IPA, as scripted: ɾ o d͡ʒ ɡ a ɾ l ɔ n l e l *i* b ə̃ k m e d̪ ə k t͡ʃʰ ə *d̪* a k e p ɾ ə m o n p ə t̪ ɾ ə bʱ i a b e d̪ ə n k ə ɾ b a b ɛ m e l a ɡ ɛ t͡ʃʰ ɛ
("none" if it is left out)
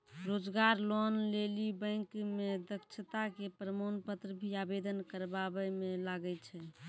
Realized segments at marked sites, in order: i, t̪

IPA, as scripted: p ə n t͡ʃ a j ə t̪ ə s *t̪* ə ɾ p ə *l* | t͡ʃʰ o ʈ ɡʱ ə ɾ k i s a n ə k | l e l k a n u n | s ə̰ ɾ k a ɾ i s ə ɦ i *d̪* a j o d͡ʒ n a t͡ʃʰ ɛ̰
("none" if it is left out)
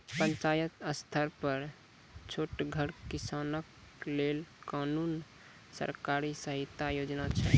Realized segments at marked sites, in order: t̪ʰ, ɾ, t̪

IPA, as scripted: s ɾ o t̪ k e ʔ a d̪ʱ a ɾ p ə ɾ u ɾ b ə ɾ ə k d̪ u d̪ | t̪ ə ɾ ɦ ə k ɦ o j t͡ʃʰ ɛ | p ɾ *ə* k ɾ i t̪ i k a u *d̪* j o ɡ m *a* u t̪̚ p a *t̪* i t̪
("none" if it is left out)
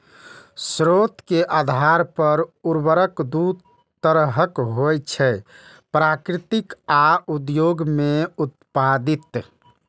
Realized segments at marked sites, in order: a, d̪, e, d̪

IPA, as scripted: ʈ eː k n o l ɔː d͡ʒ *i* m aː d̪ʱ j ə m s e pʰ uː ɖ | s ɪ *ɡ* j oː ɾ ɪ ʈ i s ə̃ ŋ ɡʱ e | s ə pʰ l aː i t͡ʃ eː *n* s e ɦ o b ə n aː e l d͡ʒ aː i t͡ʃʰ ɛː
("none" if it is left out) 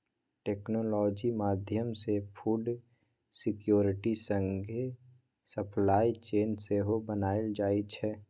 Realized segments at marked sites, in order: i, k, n

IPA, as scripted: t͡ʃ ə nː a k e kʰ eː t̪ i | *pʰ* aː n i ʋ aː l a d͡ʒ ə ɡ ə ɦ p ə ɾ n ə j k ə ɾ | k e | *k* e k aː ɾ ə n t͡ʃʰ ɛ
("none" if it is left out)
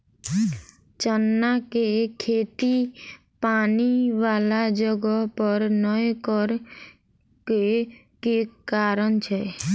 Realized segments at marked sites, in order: p, k

